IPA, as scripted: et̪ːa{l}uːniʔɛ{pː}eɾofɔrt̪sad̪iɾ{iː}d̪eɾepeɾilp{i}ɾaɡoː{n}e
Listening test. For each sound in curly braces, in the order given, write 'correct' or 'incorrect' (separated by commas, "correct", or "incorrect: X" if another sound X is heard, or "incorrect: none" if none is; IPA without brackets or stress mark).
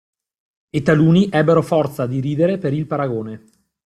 correct, incorrect: bː, correct, incorrect: a, correct